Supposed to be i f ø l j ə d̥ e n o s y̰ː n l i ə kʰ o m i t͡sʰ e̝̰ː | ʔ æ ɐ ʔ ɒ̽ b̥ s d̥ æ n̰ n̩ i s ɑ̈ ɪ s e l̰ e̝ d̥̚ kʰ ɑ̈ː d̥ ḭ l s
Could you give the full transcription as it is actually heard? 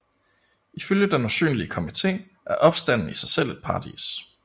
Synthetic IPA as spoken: i f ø l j ə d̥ e n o s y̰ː n l i ə kʰ o m i t͡sʰ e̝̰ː | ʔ æ ɐ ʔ ɒ̽ b̥ s d̥ æ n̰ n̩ i s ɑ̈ ɪ s e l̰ e̝ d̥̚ pʰ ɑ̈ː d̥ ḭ s

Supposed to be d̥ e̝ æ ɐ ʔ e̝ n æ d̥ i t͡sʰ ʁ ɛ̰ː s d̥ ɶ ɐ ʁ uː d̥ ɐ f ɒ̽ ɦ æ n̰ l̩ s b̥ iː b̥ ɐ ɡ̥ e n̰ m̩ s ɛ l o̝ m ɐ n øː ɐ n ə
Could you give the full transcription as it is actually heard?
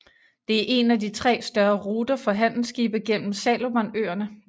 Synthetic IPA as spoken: d̥ e̝ æ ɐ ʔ e̝ n æ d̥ i t͡sʰ ʁ ɛ̰ː s d̥ ɶ ɐ ʁ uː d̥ ɐ f ɒ̽ ɦ æ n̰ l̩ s ɡ̥ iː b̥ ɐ ɡ̥ e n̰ m̩ s ɛ l o̝ m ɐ n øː ɐ n ə

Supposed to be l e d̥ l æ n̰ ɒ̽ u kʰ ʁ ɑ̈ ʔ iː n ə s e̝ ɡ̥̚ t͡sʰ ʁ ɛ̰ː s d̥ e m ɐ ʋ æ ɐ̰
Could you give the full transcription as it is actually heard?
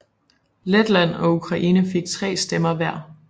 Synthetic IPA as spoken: l e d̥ l æ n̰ ɒ̽ u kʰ ʁ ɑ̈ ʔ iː n ə f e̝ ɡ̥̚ t͡sʰ ʁ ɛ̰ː s d̥ e m ɐ ʋ æ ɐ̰

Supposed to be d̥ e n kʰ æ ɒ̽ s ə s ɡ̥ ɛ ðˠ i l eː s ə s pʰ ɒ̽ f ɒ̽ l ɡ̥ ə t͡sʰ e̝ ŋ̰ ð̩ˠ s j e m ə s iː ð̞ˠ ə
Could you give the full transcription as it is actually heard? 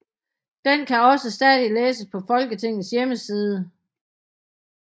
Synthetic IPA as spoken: d̥ e n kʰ æ ɒ̽ s ə s d̥ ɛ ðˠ i l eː s ə s pʰ ɒ̽ f ɒ̽ l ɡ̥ ə t͡sʰ e̝ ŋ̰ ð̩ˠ s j e m ə s iː ð̞ˠ ə

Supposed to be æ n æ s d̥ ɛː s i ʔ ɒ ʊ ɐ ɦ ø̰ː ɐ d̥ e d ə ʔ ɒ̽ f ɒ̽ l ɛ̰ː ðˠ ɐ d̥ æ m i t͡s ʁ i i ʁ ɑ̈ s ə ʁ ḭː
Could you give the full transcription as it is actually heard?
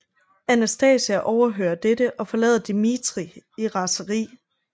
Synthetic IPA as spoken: æ n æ s d̥ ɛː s æ ʔ ɒ ʊ ɐ ɦ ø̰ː ɐ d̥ e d ə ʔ ɒ̽ f ɒ̽ l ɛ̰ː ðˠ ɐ d̥ i m i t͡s ʁ i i ʁ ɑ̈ s ə ʁ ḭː

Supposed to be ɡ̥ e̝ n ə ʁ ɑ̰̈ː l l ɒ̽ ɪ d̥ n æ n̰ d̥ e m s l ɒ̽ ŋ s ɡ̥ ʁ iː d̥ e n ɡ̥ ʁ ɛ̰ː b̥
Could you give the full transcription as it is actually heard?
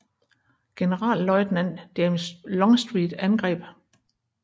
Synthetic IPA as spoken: ɡ̥ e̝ n ə ʁ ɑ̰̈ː l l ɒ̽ ɪ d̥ n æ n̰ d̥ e m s l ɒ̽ ŋ s d̥ ʁ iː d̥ æ n ɡ̥ ʁ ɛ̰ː b̥

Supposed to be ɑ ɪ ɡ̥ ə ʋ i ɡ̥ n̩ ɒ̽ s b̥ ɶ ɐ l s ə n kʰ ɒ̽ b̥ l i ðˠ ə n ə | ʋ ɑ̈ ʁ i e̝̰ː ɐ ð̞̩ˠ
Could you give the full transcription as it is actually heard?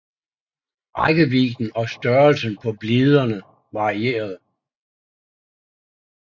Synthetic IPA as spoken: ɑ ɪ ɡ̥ ə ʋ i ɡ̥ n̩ ɒ̽ s d̥ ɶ ɐ l s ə n pʰ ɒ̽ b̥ l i ðˠ ɐ n ə | ʋ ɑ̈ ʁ i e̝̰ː ɐ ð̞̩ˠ

